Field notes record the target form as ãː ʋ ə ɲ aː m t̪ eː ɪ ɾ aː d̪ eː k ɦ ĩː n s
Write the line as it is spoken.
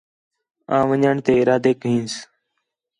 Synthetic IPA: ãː ʋ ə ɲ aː ɳ t̪ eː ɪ ɾ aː d̪ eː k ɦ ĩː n s